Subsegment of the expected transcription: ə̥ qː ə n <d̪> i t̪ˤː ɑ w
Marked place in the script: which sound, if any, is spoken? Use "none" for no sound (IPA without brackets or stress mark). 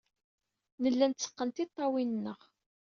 t̪